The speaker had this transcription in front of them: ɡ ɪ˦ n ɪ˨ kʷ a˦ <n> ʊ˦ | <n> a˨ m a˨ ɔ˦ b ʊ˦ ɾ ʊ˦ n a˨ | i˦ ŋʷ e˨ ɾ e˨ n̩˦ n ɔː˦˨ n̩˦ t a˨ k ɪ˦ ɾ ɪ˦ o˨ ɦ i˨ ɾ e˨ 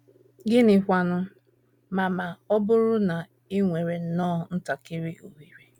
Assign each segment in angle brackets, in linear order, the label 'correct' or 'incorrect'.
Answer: correct, incorrect: m

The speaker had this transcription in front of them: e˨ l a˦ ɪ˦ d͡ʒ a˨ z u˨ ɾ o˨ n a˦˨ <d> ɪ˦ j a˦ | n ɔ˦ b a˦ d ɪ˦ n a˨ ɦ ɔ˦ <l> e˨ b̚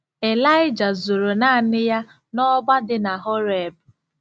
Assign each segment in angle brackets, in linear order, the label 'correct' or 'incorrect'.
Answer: incorrect: n, incorrect: ɾ

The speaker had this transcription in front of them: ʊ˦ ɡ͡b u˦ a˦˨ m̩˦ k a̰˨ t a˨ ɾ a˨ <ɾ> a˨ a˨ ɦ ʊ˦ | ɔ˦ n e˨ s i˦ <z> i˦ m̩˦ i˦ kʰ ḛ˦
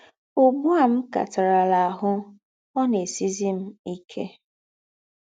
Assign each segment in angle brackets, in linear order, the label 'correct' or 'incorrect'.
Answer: incorrect: l, correct

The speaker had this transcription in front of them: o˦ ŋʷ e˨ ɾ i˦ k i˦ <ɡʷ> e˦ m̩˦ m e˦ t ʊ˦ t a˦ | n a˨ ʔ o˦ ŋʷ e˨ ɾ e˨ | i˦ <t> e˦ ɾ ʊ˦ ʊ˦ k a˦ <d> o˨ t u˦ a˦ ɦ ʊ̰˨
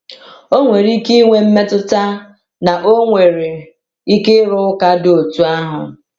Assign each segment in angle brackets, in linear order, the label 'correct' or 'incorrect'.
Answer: incorrect: ŋʷ, incorrect: k, correct

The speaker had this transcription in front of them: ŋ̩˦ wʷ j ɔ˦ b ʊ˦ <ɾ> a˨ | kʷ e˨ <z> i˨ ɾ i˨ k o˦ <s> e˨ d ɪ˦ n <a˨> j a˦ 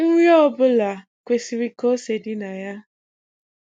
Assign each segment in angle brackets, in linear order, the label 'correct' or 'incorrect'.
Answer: incorrect: l, incorrect: s, correct, correct

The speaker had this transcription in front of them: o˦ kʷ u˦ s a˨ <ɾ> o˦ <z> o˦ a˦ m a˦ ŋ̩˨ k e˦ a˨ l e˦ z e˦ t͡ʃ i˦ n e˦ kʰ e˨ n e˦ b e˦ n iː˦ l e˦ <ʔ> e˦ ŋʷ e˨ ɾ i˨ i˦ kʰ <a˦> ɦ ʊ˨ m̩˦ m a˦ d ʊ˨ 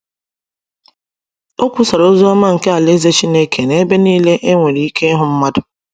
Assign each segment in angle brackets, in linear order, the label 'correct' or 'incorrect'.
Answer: correct, correct, correct, incorrect: e˦

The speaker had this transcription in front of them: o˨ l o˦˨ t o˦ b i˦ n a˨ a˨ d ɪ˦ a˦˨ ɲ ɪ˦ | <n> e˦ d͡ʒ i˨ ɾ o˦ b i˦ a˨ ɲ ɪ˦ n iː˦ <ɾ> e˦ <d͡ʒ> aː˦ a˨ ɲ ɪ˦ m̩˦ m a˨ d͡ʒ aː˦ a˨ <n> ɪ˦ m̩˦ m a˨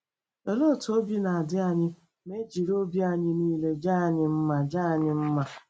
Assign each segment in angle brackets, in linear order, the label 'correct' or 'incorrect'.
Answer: incorrect: m, incorrect: l, correct, incorrect: ɲ

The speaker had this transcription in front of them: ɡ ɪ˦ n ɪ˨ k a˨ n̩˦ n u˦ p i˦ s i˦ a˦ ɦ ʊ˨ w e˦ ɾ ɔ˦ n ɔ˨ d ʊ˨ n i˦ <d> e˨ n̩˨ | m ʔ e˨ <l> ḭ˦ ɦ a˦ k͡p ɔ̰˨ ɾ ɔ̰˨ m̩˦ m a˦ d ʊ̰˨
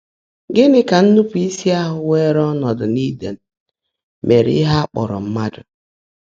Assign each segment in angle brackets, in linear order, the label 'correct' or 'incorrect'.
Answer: correct, incorrect: ɾ

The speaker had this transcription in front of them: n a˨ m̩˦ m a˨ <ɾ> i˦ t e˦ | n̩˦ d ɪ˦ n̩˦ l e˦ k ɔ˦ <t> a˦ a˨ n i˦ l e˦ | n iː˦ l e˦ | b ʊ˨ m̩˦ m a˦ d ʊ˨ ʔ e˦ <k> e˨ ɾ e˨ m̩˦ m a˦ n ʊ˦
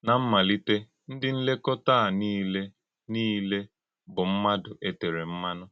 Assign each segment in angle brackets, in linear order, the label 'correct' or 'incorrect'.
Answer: incorrect: l, correct, incorrect: t

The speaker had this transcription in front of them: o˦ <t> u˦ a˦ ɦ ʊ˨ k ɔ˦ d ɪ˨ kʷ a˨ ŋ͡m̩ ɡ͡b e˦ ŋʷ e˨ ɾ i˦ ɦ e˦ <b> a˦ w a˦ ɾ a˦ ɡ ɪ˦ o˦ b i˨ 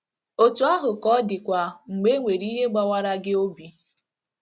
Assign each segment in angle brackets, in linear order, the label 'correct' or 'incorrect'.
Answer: correct, incorrect: ɡ͡b

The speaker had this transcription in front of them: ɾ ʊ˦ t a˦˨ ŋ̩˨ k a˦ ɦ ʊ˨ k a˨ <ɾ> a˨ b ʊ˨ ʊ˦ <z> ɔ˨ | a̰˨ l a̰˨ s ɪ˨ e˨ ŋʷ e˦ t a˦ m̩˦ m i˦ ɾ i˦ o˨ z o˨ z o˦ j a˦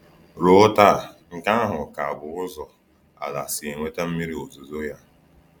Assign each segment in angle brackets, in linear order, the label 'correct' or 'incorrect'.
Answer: incorrect: none, correct

